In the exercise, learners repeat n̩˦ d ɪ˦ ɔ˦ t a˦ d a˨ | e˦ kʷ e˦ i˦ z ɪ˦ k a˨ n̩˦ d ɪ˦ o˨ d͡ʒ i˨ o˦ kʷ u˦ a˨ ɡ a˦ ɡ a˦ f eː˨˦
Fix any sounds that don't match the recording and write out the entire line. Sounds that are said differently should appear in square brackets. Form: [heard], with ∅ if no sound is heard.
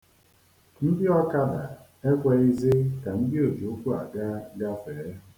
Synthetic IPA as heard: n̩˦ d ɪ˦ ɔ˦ [k] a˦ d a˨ | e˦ kʷ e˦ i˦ z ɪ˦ k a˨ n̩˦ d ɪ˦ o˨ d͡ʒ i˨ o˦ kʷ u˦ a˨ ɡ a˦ ɡ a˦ f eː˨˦